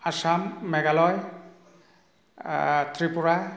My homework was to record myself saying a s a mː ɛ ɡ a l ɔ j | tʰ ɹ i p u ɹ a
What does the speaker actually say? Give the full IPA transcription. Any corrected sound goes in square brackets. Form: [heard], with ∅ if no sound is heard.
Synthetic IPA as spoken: a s a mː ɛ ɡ a l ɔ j | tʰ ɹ i p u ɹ a